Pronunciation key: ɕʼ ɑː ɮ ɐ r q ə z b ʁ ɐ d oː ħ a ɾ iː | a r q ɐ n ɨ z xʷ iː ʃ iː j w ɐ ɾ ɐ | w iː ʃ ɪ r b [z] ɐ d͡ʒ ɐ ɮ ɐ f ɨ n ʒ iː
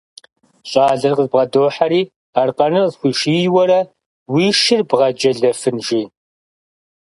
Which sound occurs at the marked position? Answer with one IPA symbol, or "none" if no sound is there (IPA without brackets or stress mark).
ʁ